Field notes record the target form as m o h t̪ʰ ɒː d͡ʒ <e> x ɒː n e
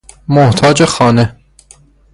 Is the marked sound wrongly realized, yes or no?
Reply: no